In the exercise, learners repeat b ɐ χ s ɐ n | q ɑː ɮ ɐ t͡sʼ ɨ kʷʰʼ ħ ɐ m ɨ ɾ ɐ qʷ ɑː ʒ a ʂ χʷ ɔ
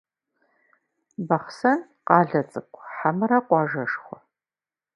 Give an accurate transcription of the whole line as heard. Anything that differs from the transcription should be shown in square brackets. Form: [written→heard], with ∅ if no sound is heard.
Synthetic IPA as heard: b ɐ χ s ɐ n | q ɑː ɮ ɐ t͡sʼ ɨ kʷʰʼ ħ [ɐ→a] m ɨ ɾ ɐ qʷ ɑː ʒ [a→ɐ] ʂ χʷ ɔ